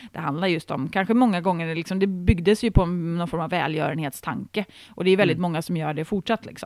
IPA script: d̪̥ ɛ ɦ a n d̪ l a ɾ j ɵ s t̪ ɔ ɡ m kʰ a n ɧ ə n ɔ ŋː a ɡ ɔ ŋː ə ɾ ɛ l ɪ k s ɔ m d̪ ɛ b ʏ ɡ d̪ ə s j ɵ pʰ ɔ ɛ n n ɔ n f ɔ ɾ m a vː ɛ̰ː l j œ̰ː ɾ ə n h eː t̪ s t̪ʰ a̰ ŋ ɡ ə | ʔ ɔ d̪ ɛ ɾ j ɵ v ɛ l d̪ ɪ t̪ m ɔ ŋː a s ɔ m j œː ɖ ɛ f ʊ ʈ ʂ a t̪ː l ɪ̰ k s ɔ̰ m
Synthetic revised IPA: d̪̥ ɛ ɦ a n d̪ l a ɾ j ɵ s t̪ ɔ m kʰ a n ɧ ə m ɔ ŋː a ɡ ɔ ŋː ə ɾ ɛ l ɪ k s ɔ m d̪ ɛ b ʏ ɡ d̪ ə s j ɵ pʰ ɔ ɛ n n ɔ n f ɔ ɾ m a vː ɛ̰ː l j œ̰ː ɾ ə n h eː t̪ s t̪ʰ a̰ ŋ k ə | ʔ ɔ d̪ ɛ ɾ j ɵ v ɛ l d̪ ɪ t̪ m ɔ ŋː a s ɔ m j œː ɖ ɛ f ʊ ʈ ʂ a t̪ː l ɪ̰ k s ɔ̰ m